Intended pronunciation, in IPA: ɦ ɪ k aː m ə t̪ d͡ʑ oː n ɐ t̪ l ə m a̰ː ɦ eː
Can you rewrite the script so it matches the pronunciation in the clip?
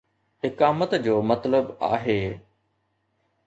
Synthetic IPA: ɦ ɪ k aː m ə t̪ d͡ʑ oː m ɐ t̪ l ə b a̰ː ɦ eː